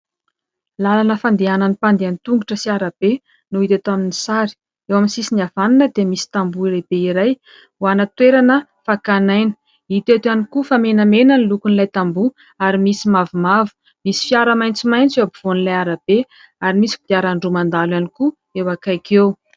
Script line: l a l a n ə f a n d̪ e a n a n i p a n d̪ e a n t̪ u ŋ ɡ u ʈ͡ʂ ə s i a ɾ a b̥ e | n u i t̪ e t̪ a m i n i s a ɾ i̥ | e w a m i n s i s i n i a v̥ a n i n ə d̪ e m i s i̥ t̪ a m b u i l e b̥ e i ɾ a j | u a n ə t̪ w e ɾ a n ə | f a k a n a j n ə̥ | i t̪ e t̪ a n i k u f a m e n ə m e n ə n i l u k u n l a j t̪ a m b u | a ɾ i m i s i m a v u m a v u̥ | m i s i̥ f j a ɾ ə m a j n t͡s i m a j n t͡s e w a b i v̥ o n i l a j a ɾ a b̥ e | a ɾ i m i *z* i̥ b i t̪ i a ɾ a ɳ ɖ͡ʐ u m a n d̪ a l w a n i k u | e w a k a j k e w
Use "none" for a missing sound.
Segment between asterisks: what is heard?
s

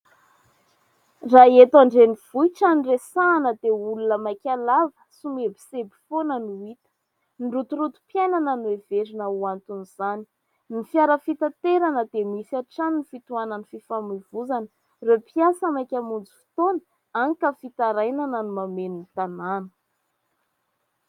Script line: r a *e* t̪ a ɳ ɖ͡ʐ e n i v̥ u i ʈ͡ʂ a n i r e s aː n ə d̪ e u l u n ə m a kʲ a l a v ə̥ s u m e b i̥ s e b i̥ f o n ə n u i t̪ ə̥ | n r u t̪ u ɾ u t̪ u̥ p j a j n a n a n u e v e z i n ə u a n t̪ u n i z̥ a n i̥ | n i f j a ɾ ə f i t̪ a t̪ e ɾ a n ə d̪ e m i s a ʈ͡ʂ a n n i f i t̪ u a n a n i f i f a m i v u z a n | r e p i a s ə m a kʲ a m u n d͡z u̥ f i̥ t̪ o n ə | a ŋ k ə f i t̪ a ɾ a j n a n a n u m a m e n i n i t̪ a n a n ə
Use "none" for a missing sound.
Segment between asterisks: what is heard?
e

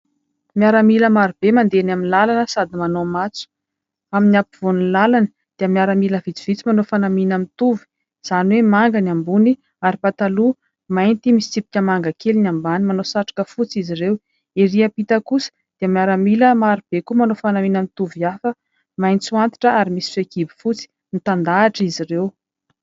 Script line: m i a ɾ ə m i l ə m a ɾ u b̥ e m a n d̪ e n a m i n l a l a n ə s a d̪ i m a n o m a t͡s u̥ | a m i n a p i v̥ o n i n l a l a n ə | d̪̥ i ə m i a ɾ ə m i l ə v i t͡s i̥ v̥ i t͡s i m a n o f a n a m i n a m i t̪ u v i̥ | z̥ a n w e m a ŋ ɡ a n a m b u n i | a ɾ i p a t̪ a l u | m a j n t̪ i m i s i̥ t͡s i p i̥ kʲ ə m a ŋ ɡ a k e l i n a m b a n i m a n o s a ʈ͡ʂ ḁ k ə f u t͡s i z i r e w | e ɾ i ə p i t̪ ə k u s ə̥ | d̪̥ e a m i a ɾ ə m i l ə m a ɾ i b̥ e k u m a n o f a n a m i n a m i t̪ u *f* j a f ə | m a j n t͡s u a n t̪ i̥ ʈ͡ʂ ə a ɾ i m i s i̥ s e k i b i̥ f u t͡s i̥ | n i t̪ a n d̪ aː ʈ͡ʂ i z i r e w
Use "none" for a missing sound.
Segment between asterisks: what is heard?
v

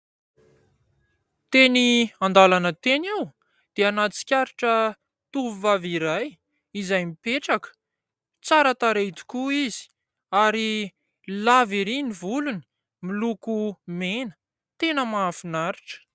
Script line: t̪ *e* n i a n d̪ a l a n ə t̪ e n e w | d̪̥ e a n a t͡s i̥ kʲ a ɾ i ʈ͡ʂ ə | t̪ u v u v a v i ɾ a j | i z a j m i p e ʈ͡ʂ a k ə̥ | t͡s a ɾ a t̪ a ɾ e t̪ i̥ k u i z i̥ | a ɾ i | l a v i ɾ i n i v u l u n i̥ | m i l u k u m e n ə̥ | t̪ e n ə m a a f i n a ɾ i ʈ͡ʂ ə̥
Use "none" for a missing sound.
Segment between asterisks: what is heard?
e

